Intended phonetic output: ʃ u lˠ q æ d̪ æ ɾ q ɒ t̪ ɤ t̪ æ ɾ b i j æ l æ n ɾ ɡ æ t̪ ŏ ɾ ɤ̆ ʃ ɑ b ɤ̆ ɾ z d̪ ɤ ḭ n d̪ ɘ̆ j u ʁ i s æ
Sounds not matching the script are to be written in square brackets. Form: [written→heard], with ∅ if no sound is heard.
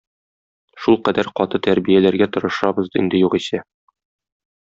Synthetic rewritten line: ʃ u lˠ q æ d̪ æ ɾ q ɒ t̪ ɤ t̪ æ ɾ b i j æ l æ [n→∅] ɾ ɡ æ t̪ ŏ ɾ ɤ̆ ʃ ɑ b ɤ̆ [ɾ→∅] z d̪ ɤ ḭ n d̪ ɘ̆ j u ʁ i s æ